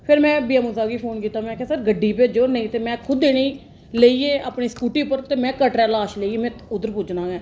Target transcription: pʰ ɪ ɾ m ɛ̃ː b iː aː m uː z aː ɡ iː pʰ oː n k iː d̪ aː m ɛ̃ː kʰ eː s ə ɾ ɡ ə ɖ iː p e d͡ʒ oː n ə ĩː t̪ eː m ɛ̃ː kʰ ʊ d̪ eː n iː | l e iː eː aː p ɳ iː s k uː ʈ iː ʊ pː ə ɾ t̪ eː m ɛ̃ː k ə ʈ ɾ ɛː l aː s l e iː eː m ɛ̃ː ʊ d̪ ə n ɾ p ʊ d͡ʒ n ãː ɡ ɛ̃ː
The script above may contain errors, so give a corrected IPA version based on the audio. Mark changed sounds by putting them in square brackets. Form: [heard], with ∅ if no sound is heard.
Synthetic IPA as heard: pʰ ɪ ɾ m ɛ̃ː b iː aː m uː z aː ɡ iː pʰ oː n k iː [t̪] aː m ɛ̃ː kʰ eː s ə ɾ ɡ ə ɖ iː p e d͡ʒ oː n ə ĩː t̪ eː m ɛ̃ː kʰ ʊ d̪ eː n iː | l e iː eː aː p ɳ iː s k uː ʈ iː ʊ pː ə ɾ t̪ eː m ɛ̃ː k ə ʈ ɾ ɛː l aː [ʃ] l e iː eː m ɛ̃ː ʊ d̪ ə [∅] ɾ p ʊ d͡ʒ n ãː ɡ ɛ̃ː

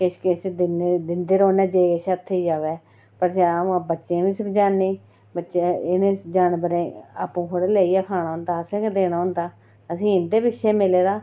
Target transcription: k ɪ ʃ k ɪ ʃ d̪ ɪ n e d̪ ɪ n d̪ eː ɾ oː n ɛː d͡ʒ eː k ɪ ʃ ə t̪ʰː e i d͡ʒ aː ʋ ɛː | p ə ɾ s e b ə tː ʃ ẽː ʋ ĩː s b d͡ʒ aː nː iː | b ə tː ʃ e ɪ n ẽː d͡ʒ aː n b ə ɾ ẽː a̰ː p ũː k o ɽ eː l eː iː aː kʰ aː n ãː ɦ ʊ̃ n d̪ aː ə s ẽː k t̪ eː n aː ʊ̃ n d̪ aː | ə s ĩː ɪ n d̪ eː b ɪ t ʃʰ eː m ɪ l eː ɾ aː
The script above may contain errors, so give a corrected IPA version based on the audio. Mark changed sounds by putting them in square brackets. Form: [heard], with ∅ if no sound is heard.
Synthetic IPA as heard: k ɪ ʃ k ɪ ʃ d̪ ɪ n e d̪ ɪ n d̪ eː ɾ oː n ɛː d͡ʒ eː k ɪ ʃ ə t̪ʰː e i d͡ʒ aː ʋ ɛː | p ə ɾ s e b ə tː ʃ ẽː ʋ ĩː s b d͡ʒ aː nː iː | b ə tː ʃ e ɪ n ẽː d͡ʒ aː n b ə ɾ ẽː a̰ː p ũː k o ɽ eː l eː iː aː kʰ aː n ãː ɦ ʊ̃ n d̪ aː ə s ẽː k [d̪] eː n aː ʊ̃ n d̪ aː | ə s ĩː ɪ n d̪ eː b ɪ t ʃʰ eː m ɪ l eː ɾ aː

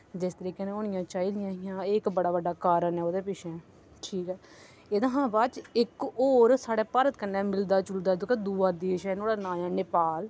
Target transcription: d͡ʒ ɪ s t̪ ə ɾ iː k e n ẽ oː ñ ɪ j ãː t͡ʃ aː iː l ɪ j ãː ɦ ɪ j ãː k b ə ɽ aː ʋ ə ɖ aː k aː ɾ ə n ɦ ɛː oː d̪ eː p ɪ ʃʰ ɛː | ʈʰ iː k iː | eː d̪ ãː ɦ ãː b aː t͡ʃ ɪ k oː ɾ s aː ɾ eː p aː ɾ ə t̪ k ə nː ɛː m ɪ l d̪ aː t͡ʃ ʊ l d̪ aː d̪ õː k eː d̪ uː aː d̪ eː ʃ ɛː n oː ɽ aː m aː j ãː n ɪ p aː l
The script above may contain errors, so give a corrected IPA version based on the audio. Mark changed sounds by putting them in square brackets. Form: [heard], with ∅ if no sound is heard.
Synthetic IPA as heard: d͡ʒ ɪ s t̪ ə ɾ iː k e n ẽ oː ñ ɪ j ãː t͡ʃ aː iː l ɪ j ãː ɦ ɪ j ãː k b ə ɽ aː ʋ ə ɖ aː k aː ɾ ə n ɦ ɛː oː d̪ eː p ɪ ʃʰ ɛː | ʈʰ iː k [ɛː] | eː d̪ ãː ɦ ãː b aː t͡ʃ ɪ k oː ɾ s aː [ɽ] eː p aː ɾ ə t̪ k ə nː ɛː m ɪ l d̪ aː t͡ʃ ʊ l d̪ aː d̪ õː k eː d̪ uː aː d̪ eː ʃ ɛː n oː ɽ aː [n] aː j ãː n ɪ p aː l

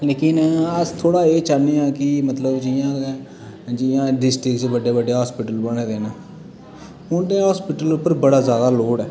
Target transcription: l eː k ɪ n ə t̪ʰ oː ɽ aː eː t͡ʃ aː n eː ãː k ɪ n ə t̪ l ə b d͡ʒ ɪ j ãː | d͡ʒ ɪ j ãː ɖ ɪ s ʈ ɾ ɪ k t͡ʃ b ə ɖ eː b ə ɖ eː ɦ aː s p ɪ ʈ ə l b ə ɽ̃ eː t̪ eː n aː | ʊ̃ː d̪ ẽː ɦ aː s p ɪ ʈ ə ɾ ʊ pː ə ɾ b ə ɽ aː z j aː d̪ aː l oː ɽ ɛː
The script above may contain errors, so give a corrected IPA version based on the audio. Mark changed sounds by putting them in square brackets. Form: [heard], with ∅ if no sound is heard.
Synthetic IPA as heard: l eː k ɪ n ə t̪ʰ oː ɽ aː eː t͡ʃ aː n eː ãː k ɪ [m] ə t̪ l ə b d͡ʒ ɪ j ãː | d͡ʒ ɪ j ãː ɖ ɪ s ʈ ɾ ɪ k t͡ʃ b ə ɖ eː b ə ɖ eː ɦ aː s p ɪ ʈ ə l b ə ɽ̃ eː [d̪] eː n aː | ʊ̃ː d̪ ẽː ɦ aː s p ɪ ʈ ə [l] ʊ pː ə ɾ b ə ɽ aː z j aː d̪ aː l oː ɽ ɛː

